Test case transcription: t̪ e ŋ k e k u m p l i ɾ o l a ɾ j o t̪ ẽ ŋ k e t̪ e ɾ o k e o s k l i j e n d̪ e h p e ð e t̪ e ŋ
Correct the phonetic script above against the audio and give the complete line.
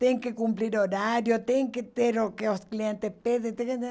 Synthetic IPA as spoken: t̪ e ŋ k e k u m p l i ɾ o ɾ a ɾ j o t̪ e ŋ k e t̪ e ɾ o k e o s k l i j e n t̪ e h p e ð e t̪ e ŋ